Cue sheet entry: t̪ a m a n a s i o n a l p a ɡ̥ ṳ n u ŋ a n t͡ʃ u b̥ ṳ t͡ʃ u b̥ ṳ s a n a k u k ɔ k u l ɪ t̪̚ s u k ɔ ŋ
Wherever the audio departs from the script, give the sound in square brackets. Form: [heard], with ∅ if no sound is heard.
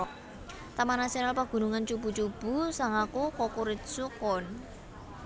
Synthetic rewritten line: t̪ a m a n a s i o n a l p a ɡ̥ ṳ n u ŋ a n t͡ʃ u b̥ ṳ t͡ʃ u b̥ ṳ s a [ŋ] a k u k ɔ k u [ɾ] ɪ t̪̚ s u k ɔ [n]